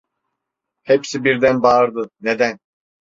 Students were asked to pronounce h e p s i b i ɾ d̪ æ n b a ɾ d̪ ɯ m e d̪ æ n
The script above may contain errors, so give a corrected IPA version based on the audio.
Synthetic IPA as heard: h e p s i b i ɾ d̪ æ n b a ɾ d̪ ɯ n e d̪ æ n